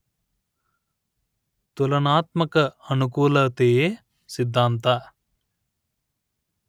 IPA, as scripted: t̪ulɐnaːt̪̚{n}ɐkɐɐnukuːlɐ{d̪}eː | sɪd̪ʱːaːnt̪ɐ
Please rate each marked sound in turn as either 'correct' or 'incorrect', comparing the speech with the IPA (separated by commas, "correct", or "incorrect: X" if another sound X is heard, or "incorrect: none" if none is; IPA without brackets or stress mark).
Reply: incorrect: m, incorrect: t̪